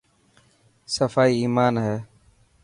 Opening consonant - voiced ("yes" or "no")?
no